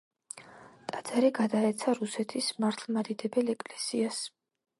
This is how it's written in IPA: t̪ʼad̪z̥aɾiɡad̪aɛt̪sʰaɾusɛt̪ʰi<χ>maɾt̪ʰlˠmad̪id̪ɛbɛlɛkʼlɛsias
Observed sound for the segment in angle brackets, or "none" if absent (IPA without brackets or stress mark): s